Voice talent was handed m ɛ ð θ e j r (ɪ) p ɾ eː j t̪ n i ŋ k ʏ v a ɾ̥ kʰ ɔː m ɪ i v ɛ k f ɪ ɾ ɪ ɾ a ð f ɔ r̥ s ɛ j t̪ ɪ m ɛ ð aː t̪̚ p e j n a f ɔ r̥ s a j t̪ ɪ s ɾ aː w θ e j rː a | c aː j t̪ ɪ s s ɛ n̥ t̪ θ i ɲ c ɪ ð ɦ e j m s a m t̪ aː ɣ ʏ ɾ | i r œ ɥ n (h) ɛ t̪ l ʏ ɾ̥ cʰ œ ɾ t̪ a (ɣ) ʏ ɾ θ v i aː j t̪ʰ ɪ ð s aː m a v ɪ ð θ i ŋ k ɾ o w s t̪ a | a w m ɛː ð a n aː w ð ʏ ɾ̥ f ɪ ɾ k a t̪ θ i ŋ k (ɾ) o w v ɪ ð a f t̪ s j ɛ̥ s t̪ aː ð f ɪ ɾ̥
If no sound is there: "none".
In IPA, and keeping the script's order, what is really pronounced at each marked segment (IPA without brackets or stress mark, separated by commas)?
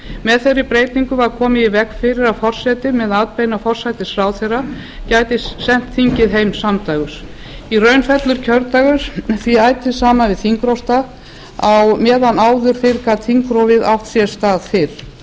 ɪ, f, ɣ, ɾ